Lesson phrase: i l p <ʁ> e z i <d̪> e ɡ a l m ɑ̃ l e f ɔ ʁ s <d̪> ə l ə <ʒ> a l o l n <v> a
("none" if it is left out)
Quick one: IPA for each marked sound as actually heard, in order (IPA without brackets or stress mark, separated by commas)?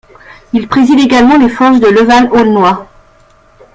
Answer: χ, d̪, d̪, v, w